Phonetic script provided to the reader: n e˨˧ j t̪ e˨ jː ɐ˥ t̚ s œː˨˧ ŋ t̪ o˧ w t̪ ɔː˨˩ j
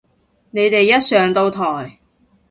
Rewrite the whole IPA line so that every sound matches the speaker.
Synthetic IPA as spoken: n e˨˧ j t̪ e˨ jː ɐ˥ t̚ s œː˨˧ ŋ t̪ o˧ w t̪ʰ ɔː˨˩ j

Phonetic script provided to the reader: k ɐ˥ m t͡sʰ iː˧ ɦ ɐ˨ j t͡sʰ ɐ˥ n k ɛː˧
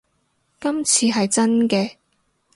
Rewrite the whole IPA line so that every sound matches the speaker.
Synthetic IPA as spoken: k ɐ˥ m t͡sʰ iː˧ ɦ ɐ˨ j t͡s ɐ˥ n k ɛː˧

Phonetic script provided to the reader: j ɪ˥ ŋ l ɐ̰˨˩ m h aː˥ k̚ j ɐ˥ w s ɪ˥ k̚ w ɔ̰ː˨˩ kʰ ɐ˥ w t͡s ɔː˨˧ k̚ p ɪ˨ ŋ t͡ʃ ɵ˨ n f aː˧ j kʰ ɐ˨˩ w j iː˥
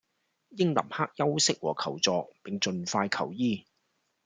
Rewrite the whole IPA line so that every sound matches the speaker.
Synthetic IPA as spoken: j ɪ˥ ŋ l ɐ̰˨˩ m h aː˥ k̚ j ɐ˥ w s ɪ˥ k̚ w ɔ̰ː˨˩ kʰ ɐ˨˩ w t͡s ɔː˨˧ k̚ p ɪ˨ ŋ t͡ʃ ɵ˨ n f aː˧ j kʰ ɐ˨˩ w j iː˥

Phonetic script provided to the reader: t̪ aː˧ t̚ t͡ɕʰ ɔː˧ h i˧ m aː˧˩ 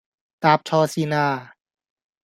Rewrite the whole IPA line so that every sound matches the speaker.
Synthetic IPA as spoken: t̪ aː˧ p̚ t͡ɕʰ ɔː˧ s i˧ n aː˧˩

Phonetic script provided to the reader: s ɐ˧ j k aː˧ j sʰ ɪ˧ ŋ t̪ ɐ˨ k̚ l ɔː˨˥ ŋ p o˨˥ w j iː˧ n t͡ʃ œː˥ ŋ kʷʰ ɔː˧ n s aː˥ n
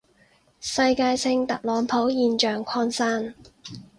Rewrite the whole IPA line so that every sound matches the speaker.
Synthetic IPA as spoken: s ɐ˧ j k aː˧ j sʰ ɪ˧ ŋ t̪ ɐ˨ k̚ l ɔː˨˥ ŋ pʰ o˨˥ w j iː˧ n t͡ʃ œː˨ ŋ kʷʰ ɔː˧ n s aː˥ n

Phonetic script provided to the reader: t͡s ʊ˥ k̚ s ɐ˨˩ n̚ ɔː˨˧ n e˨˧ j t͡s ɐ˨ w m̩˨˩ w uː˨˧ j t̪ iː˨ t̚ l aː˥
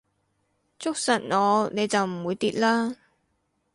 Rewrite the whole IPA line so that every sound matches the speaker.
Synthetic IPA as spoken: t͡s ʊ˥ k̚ s ɐ˨˩ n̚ ɔː˨˧ n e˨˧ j t͡s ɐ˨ w m̩˨˩ w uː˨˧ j t̪ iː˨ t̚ l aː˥

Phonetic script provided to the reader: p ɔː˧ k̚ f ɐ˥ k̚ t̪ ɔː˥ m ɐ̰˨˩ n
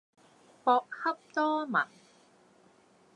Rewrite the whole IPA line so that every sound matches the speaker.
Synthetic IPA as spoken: p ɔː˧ k̚ h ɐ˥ p̚ t̪ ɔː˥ m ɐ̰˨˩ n

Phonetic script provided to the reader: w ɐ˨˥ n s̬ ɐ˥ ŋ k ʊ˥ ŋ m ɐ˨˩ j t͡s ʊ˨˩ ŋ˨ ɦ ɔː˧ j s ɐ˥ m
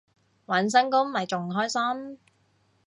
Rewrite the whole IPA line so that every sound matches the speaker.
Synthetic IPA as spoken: w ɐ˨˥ n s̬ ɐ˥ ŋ k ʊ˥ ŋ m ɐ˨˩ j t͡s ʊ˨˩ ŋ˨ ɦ ɔː˥ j s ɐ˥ m

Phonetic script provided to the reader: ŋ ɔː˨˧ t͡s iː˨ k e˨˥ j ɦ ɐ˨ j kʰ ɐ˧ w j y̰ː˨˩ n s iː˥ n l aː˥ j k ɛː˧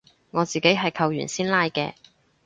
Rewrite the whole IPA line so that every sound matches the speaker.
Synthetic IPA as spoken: ŋ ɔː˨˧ t͡s iː˨ k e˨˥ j ɦ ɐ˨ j kʰ ɐ˧ w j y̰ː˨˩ n s iː˥ n l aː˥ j k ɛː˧

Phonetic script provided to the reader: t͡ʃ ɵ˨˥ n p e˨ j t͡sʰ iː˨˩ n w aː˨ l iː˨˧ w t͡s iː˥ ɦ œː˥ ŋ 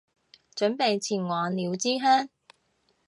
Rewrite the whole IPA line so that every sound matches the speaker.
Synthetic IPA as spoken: t͡ʃ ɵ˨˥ n p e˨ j t͡sʰ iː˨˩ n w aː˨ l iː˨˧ w t͡s iː˥ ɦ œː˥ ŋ

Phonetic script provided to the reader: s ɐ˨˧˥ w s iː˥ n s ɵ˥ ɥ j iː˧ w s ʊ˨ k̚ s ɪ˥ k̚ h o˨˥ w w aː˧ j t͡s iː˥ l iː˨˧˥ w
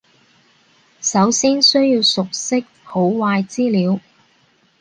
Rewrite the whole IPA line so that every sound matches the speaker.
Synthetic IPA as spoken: s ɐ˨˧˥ w s iː˥ n s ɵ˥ ɥ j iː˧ w s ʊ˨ k̚ s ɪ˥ k̚ h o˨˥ w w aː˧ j t͡s iː˥ l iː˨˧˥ w

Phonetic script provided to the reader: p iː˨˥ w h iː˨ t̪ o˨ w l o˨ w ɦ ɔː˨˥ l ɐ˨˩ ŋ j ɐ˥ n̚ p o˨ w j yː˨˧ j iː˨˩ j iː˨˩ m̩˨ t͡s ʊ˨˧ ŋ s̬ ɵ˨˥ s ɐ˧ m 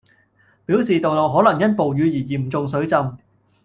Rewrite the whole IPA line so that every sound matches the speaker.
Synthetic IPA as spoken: p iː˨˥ w s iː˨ t̪ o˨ w l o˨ w ɦ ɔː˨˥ l ɐ˨˩ ŋ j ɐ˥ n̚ p o˨ w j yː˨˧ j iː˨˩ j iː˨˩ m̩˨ t͡s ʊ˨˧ ŋ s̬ ɵ˨˥ t͡s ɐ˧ m

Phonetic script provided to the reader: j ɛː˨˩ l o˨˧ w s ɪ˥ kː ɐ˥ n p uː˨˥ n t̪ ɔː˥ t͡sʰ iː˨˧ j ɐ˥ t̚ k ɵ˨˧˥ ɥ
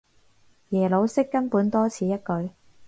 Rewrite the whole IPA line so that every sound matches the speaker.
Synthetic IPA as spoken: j ɛː˨˩ l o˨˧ w s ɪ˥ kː ɐ˥ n p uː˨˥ n t̪ ɔː˥ t͡sʰ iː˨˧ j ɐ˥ t̚ k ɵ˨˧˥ ɥ

